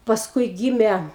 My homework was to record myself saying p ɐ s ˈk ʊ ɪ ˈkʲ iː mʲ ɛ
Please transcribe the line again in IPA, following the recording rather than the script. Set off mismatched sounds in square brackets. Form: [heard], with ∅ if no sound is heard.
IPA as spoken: p ɐ s ˈk ʊ ɪ [ˈɡʲ] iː mʲ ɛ